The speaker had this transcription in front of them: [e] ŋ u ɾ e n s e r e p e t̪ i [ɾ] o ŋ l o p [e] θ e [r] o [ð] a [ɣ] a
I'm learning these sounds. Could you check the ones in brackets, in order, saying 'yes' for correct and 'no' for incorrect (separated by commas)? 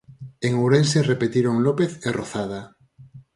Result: yes, yes, yes, yes, no, no